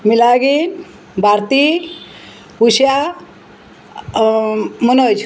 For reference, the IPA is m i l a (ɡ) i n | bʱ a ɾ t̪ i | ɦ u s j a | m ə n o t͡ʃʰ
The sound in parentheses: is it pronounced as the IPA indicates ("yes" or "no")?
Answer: yes